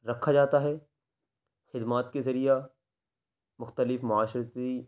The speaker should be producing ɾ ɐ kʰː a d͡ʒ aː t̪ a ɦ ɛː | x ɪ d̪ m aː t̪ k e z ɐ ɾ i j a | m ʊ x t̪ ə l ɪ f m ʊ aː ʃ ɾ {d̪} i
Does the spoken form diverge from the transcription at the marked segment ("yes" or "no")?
yes